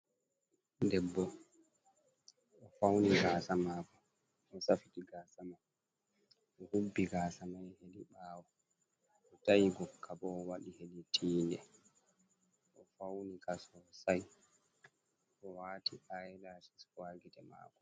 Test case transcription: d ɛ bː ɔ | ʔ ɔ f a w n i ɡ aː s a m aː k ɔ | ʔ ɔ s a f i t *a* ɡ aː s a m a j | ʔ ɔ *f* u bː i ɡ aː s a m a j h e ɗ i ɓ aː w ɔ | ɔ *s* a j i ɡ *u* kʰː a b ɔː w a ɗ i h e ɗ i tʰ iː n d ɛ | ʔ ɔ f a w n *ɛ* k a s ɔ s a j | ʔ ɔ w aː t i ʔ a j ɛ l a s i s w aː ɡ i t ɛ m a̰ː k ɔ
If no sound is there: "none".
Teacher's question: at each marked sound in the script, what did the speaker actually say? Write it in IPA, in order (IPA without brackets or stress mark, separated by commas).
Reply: i, h, t, ɔ, i